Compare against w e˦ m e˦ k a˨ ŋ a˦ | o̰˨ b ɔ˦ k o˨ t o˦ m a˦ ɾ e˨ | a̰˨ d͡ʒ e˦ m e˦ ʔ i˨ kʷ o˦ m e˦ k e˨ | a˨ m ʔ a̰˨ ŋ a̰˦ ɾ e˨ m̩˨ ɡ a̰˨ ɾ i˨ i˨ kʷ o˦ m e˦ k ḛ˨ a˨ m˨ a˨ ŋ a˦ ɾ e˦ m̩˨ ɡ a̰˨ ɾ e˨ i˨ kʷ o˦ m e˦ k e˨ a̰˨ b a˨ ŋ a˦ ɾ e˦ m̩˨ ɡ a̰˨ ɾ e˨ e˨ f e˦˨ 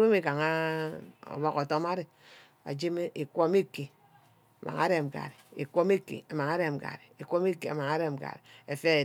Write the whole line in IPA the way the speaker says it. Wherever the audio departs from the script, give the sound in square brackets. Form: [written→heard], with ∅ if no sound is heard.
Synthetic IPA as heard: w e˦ m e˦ k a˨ ŋ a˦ | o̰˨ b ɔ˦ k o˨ t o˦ m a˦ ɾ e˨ | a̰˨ d͡ʒ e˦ m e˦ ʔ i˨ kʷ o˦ m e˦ k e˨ | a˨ m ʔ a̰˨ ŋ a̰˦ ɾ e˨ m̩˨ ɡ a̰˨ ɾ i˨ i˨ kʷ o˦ m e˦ k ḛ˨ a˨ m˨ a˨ ŋ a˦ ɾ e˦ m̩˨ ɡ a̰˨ ɾ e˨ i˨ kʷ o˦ m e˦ k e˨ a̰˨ [b→m] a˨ ŋ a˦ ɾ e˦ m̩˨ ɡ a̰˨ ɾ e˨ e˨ f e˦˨